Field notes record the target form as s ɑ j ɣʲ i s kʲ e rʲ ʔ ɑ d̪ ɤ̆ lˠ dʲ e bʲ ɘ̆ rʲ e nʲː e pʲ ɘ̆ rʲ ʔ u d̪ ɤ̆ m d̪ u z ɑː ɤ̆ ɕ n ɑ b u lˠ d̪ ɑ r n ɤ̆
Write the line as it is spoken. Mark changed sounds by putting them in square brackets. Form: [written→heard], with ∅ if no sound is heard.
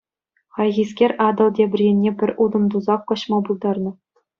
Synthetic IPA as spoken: [s→χ] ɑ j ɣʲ i s kʲ e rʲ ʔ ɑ d̪ ɤ̆ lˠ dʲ e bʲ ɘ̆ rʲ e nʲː e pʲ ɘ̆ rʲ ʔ u d̪ ɤ̆ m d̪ u z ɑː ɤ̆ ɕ [n→m] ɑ b u lˠ d̪ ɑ r n ɤ̆